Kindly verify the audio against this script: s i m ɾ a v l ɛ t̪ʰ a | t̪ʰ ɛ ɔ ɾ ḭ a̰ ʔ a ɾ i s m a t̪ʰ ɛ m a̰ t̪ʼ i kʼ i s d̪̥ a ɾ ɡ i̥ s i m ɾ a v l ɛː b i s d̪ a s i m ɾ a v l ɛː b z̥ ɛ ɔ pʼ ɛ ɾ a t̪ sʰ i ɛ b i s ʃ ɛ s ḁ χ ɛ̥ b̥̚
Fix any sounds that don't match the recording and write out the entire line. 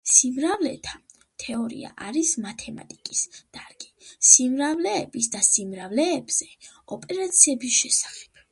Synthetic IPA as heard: s i m ɾ a v l ɛ t̪ʰ a | t̪ʰ ɛ ɔ ɾ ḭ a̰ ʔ a ɾ i s m a t̪ʰ ɛ m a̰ t̪ʼ i kʼ i s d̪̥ a ɾ ɡ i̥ s i m ɾ a v l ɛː b i s d̪ a s i m ɾ a v l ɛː b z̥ ɛ ɔ pʼ ɛ ɾ a t̪ sʰ i ɛ b i s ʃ ɛ s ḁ χ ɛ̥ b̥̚